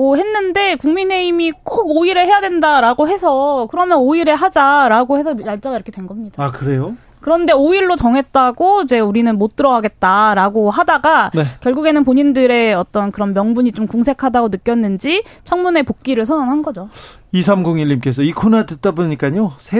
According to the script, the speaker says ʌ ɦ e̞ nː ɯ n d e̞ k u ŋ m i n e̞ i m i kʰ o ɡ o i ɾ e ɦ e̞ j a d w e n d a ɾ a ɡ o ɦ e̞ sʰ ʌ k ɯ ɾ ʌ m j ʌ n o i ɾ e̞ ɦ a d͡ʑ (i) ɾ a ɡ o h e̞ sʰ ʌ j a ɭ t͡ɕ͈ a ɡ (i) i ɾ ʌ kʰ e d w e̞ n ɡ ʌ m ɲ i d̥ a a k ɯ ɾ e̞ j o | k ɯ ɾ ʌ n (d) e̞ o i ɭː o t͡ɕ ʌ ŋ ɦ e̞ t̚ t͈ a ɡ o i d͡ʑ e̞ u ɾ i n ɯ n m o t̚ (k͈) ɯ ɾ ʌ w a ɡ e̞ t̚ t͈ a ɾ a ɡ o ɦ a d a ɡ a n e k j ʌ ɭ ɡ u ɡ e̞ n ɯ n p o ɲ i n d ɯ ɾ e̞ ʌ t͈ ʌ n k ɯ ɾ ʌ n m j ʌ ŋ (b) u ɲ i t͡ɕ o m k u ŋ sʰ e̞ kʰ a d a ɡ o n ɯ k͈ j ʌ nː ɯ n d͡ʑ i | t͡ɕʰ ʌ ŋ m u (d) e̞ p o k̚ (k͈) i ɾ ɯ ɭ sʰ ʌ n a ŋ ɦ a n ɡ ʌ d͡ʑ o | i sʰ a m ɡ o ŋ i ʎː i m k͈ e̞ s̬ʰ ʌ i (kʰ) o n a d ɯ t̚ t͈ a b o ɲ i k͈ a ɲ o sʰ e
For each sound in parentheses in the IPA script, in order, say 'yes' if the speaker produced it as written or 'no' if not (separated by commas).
no, no, yes, no, yes, no, yes, yes